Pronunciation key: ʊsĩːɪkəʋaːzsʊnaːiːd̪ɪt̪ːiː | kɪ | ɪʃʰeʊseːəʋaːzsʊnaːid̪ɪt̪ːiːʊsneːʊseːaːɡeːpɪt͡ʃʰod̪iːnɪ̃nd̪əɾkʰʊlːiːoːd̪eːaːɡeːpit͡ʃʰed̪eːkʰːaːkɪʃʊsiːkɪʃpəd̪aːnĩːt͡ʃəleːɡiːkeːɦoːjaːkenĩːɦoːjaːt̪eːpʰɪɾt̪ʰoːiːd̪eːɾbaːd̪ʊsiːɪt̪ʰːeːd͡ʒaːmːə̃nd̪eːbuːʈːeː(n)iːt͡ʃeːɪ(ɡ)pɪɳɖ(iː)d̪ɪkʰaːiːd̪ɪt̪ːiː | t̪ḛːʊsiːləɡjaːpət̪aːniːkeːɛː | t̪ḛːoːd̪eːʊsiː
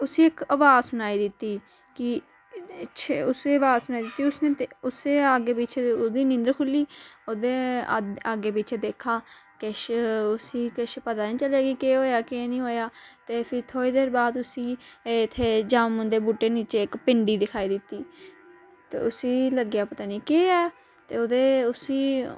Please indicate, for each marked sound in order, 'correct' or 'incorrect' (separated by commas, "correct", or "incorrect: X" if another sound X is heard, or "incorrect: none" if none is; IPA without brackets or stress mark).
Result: correct, incorrect: k, correct